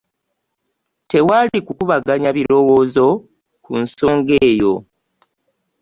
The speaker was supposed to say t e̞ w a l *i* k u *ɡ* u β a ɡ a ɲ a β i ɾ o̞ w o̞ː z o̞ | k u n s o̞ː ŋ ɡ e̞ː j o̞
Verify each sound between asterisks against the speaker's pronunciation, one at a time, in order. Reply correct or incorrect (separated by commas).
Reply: correct, incorrect